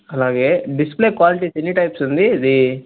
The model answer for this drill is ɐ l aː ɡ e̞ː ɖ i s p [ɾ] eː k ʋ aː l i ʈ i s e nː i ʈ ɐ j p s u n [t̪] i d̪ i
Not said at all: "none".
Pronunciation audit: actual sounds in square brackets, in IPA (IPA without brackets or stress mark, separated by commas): l, d̪